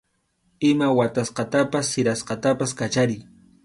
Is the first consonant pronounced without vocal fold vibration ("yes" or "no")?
no